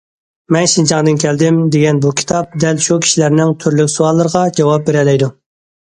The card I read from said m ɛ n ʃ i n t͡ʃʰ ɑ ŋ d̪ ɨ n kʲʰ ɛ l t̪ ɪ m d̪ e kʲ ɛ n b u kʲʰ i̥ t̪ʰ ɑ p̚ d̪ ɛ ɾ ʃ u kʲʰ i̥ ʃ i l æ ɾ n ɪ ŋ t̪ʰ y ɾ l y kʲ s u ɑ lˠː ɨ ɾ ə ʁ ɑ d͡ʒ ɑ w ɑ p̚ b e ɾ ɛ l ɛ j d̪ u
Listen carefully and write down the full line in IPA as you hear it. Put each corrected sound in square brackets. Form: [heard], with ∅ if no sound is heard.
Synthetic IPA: m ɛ n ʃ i n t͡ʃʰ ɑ ŋ d̪ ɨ n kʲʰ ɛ l [d̪] ɪ m d̪ e [ɡʲ] ɛ n b u kʲʰ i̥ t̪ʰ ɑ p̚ d̪ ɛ [l] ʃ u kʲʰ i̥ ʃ i l æ ɾ n ɪ ŋ t̪ʰ y ɾ l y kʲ s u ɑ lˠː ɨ ɾ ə ʁ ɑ d͡ʒ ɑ w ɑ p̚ b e ɾ ɛ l ɛ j d̪ u